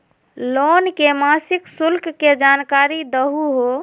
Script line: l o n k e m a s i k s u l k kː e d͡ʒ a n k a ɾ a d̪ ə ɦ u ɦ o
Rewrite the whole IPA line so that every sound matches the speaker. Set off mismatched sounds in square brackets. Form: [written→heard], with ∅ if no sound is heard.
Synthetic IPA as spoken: l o n k e m a s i k s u l k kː e d͡ʒ a n k a ɾ [a→i] d̪ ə ɦ u ɦ o